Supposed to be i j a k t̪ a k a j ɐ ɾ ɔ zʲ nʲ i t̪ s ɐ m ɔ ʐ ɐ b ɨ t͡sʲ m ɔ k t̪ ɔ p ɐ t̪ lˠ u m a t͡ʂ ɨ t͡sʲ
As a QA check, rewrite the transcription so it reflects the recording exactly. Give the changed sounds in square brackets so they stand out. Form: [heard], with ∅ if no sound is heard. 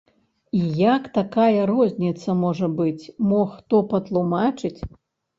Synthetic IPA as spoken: i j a k t̪ a k a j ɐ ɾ ɔ zʲ nʲ i t̪ s ɐ m ɔ ʐ ɐ b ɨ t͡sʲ m ɔ [x] t̪ ɔ p ɐ t̪ lˠ u m a t͡ʂ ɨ t͡sʲ